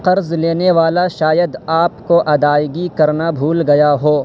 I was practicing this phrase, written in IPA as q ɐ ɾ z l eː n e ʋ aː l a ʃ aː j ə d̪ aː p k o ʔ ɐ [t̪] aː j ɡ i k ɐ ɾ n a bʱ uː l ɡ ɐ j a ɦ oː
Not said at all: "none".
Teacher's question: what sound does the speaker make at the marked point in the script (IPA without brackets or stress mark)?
d̪